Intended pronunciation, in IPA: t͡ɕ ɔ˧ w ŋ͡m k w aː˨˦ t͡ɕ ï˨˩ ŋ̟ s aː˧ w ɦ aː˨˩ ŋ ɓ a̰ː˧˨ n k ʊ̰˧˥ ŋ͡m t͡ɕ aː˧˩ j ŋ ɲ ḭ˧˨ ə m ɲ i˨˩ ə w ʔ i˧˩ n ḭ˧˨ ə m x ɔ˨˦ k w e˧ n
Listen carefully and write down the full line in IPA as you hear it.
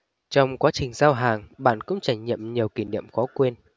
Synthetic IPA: t͡ɕ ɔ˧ w ŋ͡m k w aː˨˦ t͡ɕ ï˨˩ ŋ̟ z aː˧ w ɦ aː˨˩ ŋ ɓ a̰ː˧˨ n k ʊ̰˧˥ ŋ͡m t͡ɕ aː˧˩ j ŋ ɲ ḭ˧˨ ə m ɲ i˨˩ ə w k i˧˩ n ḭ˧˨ ə m x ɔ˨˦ k w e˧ n